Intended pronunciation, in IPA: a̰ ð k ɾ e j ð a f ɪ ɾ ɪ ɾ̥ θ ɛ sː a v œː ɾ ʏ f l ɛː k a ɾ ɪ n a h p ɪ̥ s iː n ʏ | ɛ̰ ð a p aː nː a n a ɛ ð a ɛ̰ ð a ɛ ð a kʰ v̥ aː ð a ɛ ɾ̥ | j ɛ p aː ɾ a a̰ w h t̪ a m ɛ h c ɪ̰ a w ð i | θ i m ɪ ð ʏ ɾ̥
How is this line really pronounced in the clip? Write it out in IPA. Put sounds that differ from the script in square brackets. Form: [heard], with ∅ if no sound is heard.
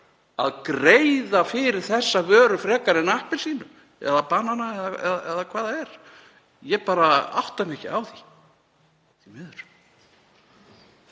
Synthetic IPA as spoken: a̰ ð k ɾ e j ð a f ɪ ɾ ɪ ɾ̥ θ ɛ sː a v œː ɾ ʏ f [ɾ] ɛː k a ɾ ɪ n a h p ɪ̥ s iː n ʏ | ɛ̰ ð a p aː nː a n a ɛ ð a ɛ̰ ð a ɛ ð a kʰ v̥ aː ð a ɛ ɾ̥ | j ɛ p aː ɾ a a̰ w h t̪ a m ɛ h c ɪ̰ a w [θ] i | θ i m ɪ ð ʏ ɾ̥